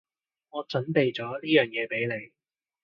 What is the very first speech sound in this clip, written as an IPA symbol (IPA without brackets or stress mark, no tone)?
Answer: ŋ